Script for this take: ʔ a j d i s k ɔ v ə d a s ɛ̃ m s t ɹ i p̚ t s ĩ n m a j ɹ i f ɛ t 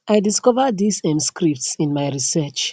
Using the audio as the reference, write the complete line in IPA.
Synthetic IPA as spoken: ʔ a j d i s k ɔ v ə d i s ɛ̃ m s k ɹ i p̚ t s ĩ n m a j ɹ i s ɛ t͡ʃ